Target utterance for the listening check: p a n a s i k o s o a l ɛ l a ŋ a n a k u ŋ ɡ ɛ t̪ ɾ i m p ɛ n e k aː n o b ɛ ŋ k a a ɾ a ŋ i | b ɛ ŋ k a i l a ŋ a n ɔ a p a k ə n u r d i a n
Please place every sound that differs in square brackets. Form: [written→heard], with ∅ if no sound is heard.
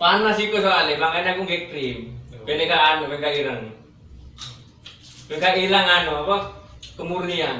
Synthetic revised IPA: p a n a s i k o s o a l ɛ l a ŋ a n a k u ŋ ɡ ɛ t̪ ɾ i m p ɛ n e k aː n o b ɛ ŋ k a [a→i] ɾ a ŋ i | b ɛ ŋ k a i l a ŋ a n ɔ a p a k ə [n→m] u r [d→n] i a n